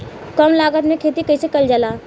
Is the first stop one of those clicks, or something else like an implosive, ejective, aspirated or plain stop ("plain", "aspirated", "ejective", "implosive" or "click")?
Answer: plain